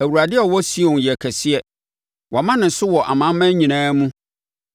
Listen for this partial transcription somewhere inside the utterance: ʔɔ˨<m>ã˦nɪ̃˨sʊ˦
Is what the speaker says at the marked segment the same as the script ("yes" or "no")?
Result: yes